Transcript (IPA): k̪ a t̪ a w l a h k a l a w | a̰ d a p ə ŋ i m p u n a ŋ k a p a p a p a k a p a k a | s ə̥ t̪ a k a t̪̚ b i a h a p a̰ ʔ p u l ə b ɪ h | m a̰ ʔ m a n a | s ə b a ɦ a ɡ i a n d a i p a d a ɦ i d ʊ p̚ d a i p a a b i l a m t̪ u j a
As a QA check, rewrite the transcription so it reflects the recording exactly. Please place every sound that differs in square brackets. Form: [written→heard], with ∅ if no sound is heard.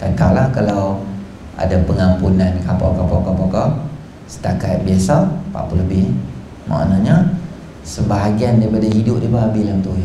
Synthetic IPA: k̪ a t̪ a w l a h k a l a w | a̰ d a p ə ŋ [i→a] m p u n a [ŋ→n] k a p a [p→k] a p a k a p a k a | s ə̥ t̪ a k a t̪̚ b i a [h→s] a p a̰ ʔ p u l ə b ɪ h | m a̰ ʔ [m→n] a [n→ɲ] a | s ə b a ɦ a ɡ i a n d a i p a d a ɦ i d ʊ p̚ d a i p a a b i l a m t̪ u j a